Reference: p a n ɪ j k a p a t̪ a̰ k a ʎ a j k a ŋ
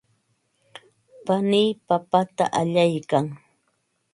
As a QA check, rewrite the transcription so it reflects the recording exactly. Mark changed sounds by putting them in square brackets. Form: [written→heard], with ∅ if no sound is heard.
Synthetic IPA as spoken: p a n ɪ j [k→p] a p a t̪ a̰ [k→ʔ] a ʎ a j k a ŋ